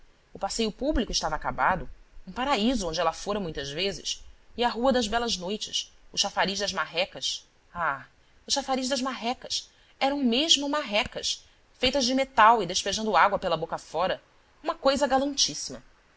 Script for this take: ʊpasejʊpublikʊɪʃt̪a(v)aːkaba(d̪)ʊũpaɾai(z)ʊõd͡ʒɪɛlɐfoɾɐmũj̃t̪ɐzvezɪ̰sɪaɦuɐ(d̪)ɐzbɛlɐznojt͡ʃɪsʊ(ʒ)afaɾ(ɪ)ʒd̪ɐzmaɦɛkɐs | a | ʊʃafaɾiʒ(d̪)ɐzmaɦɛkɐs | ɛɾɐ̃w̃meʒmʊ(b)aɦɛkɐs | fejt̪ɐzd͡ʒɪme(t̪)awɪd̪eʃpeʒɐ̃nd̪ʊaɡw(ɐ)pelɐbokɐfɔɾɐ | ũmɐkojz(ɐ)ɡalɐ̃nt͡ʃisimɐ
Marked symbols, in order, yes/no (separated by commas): yes, yes, yes, yes, no, no, yes, no, yes, yes, yes